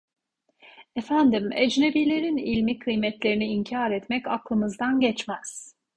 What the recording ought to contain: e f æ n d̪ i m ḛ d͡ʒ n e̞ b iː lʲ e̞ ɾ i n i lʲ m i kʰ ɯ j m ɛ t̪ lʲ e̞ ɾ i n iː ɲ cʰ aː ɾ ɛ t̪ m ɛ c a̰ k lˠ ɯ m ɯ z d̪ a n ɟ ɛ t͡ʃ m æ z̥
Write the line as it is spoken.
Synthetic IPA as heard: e f æ n d̪ i m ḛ d͡ʒ n e̞ b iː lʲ e̞ ɾ i n i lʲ m i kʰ ɯ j m ɛ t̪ lʲ e̞ ɾ i n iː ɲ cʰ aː ɾ ɛ t̪ m ɛ c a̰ k lˠ ɯ m ɯ z d̪ a n ɟ ɛ t͡ʃ m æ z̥